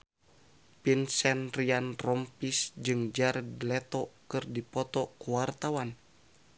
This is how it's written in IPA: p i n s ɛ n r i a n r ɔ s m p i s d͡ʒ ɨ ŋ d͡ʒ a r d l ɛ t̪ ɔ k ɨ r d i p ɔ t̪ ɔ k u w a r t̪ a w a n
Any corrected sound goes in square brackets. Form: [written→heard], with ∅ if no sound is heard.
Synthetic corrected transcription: p i n s ɛ n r i a n r ɔ [s→∅] m p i s d͡ʒ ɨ ŋ d͡ʒ a r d l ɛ t̪ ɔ k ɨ r d i p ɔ t̪ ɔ k u w a r t̪ a w a n